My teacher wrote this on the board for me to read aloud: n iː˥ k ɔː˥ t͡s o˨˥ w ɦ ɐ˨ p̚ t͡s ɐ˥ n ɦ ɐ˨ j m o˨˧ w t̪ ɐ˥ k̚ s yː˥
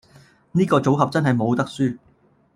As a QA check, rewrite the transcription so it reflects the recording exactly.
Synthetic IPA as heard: n iː˥ k ɔː˧ t͡s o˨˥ w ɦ ɐ˨ p̚ t͡s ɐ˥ n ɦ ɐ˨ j m o˨˧ w t̪ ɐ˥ k̚ s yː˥